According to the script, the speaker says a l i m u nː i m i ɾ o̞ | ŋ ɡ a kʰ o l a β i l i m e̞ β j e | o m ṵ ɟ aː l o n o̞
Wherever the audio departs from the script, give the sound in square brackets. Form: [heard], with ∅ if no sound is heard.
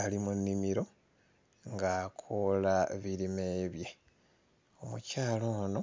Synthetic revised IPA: a l i m u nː i m i ɾ o̞ | ŋ ɡ a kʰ o l a β i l i m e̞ β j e | o m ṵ [c] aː l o n o̞